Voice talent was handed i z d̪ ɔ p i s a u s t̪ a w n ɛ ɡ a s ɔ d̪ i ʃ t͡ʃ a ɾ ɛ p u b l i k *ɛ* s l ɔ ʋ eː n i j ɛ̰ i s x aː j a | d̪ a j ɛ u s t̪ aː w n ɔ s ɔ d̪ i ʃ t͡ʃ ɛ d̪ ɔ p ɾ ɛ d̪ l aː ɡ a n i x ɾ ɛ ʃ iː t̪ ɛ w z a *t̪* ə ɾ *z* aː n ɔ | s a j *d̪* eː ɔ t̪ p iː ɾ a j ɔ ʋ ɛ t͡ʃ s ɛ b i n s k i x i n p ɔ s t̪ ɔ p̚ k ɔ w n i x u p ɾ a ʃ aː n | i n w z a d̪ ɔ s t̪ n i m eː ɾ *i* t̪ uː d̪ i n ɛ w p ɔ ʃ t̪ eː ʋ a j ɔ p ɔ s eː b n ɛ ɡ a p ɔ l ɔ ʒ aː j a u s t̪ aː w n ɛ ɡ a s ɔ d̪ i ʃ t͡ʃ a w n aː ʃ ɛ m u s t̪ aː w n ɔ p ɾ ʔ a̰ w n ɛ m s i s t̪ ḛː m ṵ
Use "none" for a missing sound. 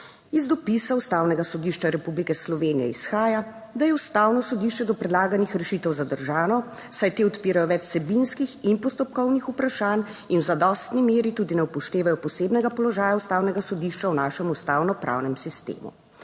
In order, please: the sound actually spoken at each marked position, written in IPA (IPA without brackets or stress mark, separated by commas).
ɛ, d̪, ʒ, t̪, i